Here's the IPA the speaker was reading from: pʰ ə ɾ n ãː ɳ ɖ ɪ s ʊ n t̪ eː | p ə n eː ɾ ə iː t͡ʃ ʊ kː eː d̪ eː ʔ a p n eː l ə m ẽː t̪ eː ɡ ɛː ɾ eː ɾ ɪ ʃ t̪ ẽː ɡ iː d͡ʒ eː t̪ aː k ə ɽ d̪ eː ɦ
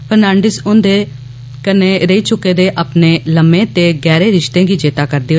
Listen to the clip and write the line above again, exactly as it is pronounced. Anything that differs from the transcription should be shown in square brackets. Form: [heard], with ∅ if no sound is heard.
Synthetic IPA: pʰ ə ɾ n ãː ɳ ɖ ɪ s ʊ n [d̪] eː | [k] ə n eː ɾ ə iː t͡ʃ ʊ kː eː d̪ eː ʔ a p n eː l ə m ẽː t̪ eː ɡ ɛː ɾ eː ɾ ɪ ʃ t̪ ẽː ɡ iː d͡ʒ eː t̪ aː k ə [ɾ] d̪ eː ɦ